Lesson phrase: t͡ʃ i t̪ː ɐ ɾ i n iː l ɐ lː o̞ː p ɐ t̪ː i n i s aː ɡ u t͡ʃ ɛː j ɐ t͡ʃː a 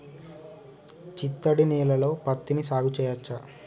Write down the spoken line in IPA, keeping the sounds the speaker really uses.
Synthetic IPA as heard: t͡ʃ i t̪ː ɐ ɽ i n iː l ɐ l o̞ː p ɐ t̪ː i n i s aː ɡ u t͡ʃ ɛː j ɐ t͡ʃː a